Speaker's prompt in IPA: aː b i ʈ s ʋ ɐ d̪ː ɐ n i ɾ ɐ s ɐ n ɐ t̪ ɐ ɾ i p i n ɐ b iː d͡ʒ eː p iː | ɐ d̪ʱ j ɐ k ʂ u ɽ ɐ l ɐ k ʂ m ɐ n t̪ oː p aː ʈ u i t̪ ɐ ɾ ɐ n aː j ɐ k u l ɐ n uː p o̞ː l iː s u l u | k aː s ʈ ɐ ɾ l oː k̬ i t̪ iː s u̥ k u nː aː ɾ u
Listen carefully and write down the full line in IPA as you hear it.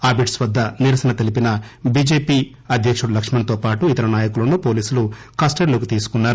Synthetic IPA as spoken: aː b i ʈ s ʋ ɐ d̪ː ɐ n i ɾ ɐ s ɐ n ɐ t̪ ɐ l i p i n ɐ b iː d͡ʒ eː p iː | ɐ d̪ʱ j ɐ k ʂ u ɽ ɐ l ɐ k ʂ m ɐ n t̪ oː p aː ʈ u i t̪ ɐ ɾ ɐ n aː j ɐ k u l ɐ n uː p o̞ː l iː s u l u | k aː s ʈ ɐ ɾ l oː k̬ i t̪ iː s u̥ k u nː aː ɾ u